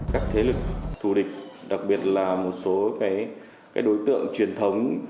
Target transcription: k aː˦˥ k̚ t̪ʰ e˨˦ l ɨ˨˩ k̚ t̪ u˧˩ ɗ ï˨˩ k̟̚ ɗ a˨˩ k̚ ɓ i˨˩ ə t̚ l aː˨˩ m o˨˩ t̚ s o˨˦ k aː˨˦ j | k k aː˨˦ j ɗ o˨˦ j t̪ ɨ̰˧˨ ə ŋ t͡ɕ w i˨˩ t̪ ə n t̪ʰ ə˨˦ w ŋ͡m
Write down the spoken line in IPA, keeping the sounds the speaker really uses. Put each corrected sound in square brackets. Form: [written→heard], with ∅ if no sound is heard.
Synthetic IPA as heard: k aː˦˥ k̚ t̪ʰ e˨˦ l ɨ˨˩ k̚ [t̪→t̪ʰ] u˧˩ ɗ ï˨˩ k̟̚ ɗ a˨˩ k̚ ɓ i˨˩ ə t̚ l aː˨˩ m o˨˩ t̚ s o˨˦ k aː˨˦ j | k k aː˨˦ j ɗ o˨˦ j t̪ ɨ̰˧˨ ə ŋ t͡ɕ w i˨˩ [t̪→∅] ə n t̪ʰ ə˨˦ w ŋ͡m